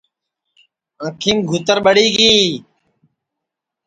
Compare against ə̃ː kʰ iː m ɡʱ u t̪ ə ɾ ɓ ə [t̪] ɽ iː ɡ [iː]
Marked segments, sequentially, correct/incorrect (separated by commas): incorrect, correct